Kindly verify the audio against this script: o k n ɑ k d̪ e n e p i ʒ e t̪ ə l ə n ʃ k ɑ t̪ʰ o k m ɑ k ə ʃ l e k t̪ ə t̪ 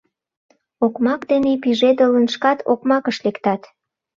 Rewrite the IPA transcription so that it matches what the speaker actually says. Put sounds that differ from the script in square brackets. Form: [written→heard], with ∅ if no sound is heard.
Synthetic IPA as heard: o k [n→m] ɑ k d̪ e n e p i ʒ e [t̪→d̪] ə l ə n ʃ k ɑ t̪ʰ o k m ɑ k ə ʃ l e k t̪ [ə→ɑ] t̪

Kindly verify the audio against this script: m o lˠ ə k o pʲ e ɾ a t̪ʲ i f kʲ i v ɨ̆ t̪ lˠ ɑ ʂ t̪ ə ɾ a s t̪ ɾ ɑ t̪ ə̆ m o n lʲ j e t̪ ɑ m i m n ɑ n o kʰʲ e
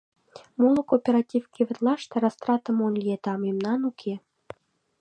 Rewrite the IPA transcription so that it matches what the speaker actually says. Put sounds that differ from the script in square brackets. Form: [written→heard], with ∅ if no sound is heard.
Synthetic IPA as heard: m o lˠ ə k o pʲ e ɾ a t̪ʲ i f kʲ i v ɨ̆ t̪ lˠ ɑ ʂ t̪ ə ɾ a s t̪ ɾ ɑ t̪ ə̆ m o n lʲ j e t̪ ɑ m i m n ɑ n [o→u] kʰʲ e

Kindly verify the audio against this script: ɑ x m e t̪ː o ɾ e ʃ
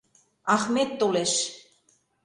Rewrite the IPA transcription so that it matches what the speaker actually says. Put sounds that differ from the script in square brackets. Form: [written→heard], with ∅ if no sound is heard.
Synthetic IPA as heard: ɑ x m e t̪ː o [ɾ→l] e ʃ

